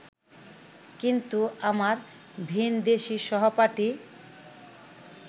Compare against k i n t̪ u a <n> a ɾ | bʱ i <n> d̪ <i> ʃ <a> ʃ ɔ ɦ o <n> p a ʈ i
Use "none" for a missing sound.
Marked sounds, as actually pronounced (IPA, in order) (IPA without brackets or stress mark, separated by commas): m, n, e, i, none